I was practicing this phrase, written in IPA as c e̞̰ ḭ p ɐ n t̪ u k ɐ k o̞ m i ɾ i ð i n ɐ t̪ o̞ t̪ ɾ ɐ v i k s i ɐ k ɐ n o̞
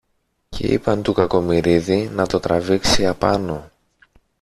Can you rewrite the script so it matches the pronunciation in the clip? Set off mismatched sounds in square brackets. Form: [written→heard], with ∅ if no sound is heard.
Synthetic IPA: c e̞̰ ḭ p ɐ n t̪ u k ɐ k o̞ m i ɾ i ð i n ɐ t̪ o̞ t̪ ɾ ɐ v i k s i ɐ [k→p] ɐ n o̞